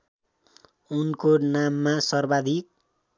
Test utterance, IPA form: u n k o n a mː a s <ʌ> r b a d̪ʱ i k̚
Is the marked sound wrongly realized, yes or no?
no